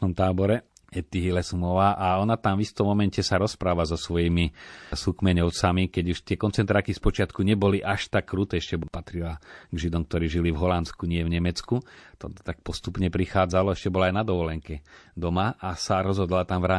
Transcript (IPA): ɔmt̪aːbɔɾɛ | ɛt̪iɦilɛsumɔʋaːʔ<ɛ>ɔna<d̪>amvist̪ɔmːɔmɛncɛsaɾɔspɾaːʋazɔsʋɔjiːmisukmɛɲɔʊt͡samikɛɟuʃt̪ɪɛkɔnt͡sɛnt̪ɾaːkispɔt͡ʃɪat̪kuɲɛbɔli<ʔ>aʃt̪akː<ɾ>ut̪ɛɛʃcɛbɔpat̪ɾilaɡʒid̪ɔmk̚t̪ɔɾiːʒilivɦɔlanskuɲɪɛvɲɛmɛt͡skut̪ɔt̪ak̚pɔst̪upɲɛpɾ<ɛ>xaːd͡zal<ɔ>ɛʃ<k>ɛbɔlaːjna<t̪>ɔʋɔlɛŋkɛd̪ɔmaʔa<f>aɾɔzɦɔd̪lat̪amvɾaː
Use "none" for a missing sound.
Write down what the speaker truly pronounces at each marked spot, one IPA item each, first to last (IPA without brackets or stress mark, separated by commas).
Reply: a, t̪, ʔ, ɾ, i, ɔ, c, d̪, s